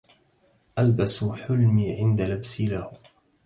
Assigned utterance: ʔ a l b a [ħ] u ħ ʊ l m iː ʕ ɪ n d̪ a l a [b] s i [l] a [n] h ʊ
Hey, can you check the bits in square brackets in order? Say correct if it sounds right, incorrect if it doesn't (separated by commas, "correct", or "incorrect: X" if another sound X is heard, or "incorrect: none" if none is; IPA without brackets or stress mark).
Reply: incorrect: s, correct, correct, incorrect: none